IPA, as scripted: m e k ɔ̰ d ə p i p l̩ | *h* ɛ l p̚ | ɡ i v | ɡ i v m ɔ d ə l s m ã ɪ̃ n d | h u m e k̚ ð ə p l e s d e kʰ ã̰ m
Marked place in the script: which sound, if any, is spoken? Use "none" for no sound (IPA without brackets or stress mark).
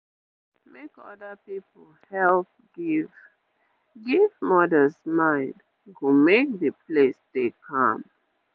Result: h